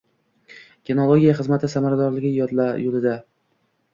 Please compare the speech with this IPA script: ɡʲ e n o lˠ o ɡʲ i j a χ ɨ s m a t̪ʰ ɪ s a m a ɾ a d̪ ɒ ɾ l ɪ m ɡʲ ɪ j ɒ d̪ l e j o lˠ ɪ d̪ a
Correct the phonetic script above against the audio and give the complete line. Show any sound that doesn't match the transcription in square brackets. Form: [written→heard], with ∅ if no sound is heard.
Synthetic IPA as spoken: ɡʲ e n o lˠ o ɡʲ i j a χ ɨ [s→z] m a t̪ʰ ɪ s a m a ɾ a d̪ ɒ ɾ l ɪ [m→∅] ɡʲ ɪ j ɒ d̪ l [e→a] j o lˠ ɪ d̪ a